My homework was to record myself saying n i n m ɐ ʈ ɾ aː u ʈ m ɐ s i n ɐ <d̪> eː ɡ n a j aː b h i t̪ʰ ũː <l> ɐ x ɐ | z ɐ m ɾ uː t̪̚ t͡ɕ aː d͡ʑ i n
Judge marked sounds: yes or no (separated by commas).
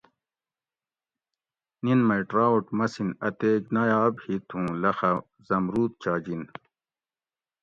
no, yes